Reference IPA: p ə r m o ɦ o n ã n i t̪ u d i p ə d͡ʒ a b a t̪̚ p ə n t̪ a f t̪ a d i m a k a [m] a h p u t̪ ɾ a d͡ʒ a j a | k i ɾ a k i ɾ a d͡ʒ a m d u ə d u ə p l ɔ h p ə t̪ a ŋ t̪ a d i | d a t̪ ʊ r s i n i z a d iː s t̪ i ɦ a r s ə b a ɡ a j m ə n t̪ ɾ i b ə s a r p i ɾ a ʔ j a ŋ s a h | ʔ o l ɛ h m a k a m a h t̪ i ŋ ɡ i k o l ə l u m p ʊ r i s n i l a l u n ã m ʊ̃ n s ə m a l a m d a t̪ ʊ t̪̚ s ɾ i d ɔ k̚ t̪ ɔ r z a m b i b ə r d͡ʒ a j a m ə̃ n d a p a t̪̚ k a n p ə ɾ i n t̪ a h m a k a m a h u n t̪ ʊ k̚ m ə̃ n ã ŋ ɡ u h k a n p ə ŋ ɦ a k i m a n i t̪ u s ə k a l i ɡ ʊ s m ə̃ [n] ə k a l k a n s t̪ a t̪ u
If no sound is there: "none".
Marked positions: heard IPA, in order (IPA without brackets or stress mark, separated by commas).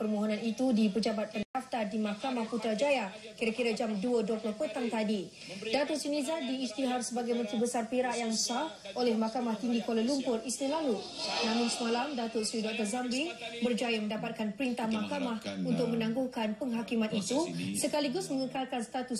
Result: m, ŋ